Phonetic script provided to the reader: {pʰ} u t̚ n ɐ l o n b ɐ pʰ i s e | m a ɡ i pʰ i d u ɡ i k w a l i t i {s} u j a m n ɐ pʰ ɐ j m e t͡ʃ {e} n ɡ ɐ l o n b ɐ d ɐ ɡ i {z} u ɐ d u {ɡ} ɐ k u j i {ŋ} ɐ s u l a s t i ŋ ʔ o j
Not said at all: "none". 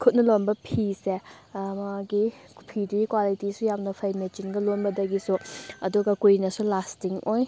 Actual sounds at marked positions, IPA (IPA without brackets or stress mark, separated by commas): kʰ, s, i, s, ɡ, n